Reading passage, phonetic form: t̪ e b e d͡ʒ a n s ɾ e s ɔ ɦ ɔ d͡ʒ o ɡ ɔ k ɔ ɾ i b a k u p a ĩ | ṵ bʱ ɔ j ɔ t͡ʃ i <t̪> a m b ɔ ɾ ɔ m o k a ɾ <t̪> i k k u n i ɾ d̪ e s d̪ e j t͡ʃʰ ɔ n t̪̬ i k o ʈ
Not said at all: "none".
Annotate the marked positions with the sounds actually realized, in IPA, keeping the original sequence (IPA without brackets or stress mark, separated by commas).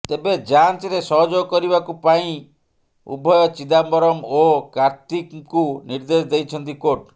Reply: d̪, t̪